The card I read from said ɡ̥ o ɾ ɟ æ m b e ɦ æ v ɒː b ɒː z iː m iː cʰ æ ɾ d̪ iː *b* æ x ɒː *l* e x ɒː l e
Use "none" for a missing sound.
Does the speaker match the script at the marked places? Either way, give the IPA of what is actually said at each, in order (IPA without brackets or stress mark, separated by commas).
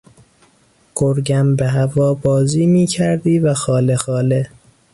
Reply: v, l